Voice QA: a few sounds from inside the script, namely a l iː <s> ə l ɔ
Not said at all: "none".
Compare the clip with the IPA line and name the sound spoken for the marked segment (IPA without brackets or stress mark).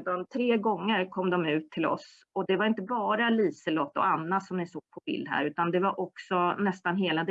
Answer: s